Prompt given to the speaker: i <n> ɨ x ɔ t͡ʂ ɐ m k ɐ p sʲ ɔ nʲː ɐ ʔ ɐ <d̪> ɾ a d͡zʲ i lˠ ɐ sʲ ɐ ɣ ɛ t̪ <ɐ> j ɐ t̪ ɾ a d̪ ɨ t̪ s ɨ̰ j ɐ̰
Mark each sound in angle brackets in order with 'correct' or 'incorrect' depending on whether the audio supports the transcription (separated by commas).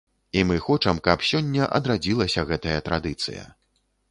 incorrect, correct, correct